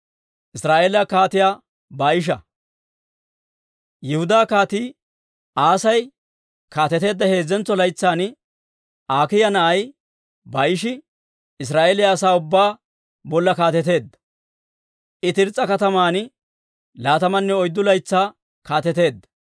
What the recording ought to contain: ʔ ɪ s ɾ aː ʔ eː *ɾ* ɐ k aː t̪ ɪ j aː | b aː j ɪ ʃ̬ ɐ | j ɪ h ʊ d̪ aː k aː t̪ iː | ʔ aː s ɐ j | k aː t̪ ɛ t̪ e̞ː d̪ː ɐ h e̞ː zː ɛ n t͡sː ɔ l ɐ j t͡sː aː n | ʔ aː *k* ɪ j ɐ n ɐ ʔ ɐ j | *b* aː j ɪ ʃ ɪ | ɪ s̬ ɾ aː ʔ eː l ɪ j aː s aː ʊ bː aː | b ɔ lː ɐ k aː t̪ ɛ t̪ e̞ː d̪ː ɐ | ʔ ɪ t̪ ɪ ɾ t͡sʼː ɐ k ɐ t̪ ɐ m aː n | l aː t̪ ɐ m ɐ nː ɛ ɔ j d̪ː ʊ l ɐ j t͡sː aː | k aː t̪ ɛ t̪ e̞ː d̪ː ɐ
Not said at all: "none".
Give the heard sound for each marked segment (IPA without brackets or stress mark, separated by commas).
l, k, b